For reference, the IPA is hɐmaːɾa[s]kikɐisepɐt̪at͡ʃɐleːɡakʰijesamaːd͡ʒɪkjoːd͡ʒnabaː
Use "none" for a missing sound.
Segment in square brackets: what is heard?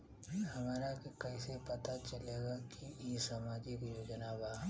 none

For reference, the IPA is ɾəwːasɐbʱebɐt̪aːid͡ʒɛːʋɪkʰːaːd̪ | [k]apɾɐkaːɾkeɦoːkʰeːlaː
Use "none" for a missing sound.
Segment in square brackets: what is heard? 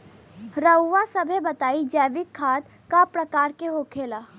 k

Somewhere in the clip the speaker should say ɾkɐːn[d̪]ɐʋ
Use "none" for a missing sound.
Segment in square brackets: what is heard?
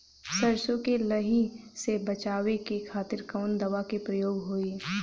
d̪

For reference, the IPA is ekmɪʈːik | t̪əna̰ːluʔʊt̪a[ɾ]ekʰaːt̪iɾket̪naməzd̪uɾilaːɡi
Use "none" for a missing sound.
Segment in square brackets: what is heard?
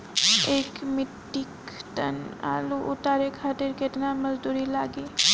ɾ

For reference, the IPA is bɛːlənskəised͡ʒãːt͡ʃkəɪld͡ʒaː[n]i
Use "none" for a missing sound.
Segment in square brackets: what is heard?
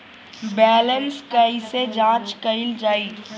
none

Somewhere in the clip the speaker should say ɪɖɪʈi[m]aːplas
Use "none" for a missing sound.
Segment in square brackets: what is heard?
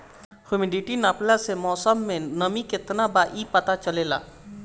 n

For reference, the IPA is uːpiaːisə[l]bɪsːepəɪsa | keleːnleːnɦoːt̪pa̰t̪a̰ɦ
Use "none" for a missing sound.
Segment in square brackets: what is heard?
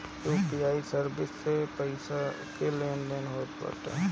ɾ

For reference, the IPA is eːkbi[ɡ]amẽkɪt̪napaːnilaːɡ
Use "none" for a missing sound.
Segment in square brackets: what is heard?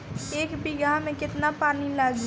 ɡ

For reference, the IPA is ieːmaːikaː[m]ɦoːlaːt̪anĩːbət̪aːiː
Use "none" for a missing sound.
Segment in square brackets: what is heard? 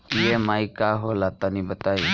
none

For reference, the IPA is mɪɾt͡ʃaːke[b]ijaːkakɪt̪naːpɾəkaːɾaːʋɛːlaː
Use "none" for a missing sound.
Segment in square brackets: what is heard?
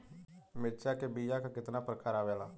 b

